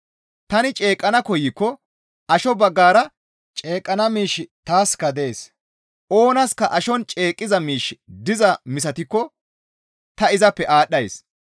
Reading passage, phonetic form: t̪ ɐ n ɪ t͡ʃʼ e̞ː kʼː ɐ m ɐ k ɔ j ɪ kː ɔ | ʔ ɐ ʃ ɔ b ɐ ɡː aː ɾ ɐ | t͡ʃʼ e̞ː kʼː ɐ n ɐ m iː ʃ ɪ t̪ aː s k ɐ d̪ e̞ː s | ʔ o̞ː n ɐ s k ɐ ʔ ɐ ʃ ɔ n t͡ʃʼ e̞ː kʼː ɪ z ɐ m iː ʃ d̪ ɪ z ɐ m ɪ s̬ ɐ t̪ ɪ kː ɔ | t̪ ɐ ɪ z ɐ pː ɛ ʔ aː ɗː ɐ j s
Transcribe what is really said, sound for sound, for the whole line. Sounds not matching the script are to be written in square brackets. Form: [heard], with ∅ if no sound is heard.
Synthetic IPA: t̪ ɐ n ɪ t͡ʃʼ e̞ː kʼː ɐ [n] ɐ k ɔ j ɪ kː ɔ | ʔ ɐ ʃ ɔ b ɐ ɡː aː ɾ ɐ | t͡ʃʼ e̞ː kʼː ɐ n ɐ m iː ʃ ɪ t̪ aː s k ɐ d̪ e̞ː s | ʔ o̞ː n ɐ s k ɐ ʔ ɐ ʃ ɔ n t͡ʃʼ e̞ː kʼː ɪ z ɐ m iː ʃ d̪ ɪ z ɐ m ɪ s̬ ɐ t̪ ɪ kː ɔ | t̪ ɐ ɪ z ɐ pː ɛ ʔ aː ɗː ɐ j s